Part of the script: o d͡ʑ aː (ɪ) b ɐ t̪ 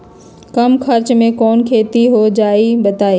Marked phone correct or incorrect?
incorrect